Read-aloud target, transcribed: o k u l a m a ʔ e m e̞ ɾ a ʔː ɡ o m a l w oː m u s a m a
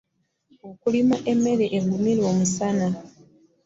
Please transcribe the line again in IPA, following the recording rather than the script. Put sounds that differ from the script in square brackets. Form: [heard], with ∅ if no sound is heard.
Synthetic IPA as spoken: o k u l [i] m a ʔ e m e̞ ɾ [e] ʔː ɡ [u] m [i] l w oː m u s a [n] a